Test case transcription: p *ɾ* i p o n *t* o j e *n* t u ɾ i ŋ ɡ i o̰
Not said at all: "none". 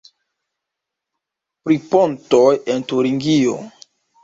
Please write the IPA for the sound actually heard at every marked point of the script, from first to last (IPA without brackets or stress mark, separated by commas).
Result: ɾ, t, n